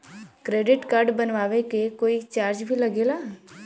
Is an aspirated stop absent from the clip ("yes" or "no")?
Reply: yes